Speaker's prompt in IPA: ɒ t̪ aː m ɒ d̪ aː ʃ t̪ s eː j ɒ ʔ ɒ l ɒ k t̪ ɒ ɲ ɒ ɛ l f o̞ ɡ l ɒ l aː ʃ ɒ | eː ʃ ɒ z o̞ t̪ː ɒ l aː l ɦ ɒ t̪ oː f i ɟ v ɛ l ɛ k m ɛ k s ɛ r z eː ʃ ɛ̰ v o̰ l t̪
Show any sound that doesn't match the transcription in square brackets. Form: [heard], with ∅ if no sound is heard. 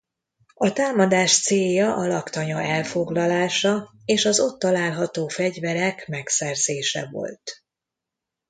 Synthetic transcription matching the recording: ɒ t̪ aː m ɒ d̪ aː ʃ t̪ s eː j ɒ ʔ ɒ l ɒ k t̪ ɒ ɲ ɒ ɛ l f o̞ ɡ l ɒ l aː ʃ ɒ | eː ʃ ɒ z o̞ t̪ː ɒ l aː l ɦ ɒ t̪ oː f [ɛ] ɟ v ɛ [ɾ] ɛ k m ɛ k s ɛ r z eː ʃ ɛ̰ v o̰ l t̪